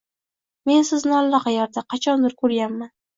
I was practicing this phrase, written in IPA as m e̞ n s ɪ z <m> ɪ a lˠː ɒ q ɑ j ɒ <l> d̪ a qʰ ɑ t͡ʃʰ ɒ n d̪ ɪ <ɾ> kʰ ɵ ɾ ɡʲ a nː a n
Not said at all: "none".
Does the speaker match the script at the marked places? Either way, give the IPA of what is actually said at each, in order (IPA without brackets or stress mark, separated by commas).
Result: n, ɾ, ɾ